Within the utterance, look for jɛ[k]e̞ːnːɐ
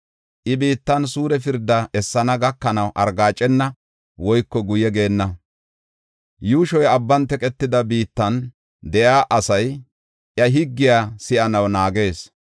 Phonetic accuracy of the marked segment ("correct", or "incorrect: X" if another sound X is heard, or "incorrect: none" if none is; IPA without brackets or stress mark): incorrect: ɡ